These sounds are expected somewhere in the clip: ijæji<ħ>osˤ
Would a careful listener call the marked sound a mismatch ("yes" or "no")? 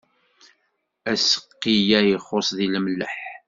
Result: yes